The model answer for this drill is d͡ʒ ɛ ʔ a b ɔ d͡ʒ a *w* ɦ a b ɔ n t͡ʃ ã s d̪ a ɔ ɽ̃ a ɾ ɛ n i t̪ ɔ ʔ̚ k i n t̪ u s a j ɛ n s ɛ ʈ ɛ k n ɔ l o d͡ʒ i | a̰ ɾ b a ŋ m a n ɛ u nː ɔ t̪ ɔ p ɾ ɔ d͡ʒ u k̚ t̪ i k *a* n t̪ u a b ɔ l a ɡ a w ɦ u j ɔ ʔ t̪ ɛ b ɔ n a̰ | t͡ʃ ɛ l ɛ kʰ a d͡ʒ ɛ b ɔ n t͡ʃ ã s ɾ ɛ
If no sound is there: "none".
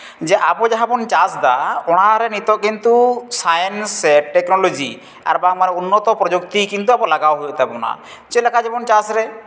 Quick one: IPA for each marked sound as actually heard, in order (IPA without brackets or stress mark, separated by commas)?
none, i